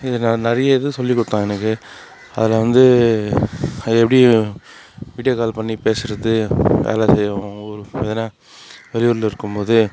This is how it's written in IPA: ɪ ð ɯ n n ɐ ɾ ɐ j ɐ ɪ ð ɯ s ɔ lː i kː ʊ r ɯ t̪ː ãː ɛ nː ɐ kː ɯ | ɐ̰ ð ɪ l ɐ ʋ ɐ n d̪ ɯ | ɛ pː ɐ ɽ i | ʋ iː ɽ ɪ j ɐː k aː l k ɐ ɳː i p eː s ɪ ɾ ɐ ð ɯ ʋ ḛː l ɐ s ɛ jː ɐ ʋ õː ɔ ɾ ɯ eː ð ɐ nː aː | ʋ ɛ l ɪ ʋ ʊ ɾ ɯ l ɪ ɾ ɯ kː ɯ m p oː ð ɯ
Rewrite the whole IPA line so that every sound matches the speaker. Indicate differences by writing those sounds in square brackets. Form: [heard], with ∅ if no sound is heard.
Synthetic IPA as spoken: ɪ ð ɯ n n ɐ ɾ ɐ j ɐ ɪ ð ɯ s ɔ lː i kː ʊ [ɽ] ɯ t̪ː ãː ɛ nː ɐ kː ɯ | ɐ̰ ð ɪ l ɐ ʋ ɐ n d̪ ɯ | ɛ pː ɐ ɽ i | ʋ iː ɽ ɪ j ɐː k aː l [p] ɐ ɳː i p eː s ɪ ɾ ɐ ð ɯ ʋ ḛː l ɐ s ɛ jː ɐ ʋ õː ɔ ɾ ɯ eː ð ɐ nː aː | ʋ ɛ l ɪ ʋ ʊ ɾ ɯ l ɪ ɾ ɯ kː ɯ m p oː ð ɯ

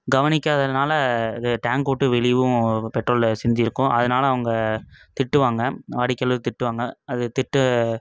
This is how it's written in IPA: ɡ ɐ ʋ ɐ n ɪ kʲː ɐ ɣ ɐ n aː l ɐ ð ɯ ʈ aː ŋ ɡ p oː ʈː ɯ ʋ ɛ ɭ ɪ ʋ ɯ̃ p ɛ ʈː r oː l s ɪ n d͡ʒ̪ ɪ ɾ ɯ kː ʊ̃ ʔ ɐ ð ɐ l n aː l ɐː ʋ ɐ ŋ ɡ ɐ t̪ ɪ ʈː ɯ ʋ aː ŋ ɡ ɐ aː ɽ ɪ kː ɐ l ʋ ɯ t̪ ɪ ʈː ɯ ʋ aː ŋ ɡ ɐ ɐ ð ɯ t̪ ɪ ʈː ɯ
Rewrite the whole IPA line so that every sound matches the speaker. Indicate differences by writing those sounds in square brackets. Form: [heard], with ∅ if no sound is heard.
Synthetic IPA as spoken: ɡ ɐ ʋ ɐ n ɪ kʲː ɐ [ð] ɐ n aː l ɐ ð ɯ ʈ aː ŋ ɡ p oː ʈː ɯ ʋ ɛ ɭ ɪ ʋ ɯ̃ p ɛ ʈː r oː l s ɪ n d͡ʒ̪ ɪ ɾ ɯ kː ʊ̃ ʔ ɐ ð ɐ [∅] n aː l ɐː ʋ ɐ ŋ ɡ ɐ t̪ ɪ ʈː ɯ ʋ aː ŋ ɡ ɐ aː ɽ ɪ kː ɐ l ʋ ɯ t̪ ɪ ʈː ɯ ʋ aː ŋ ɡ ɐ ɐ ð ɯ t̪ ɪ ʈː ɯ

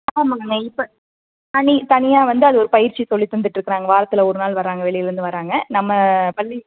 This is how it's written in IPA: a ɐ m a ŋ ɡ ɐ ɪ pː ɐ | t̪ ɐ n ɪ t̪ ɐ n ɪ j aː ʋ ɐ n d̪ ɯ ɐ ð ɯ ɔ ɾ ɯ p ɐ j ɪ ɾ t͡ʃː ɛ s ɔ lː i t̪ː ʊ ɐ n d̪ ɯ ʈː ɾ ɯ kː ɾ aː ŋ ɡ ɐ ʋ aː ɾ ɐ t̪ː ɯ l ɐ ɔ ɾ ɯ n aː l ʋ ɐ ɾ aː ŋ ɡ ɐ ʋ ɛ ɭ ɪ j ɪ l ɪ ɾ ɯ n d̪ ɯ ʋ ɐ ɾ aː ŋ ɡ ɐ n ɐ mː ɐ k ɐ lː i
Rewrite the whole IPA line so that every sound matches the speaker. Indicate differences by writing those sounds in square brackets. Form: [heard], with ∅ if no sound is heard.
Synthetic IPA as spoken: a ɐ m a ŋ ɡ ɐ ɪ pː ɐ | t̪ ɐ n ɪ t̪ ɐ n ɪ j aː ʋ ɐ n d̪ ɯ ɐ ð ɯ ɔ ɾ ɯ p ɐ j ɪ ɾ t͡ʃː [i] s ɔ lː i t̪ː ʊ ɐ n d̪ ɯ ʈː ɾ ɯ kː ɾ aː ŋ ɡ ɐ ʋ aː ɾ ɐ t̪ː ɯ l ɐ ɔ ɾ ɯ n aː l ʋ ɐ ɾ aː ŋ ɡ ɐ ʋ ɛ ɭ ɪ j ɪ l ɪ ɾ ɯ n d̪ ɯ ʋ ɐ ɾ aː ŋ ɡ ɐ n ɐ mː ɐ [p] ɐ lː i

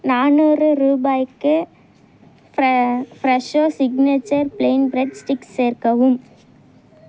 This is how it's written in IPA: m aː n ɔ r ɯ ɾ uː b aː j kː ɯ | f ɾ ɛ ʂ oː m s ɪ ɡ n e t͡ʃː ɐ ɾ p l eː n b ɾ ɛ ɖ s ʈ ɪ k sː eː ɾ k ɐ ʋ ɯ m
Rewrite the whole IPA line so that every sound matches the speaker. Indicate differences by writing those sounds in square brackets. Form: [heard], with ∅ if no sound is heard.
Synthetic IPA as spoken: [n] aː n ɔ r ɯ ɾ uː b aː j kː ɯ | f ɾ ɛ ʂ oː [∅] s ɪ ɡ n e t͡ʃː ɐ ɾ p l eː n b ɾ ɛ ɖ s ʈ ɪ k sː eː ɾ k ɐ ʋ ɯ m

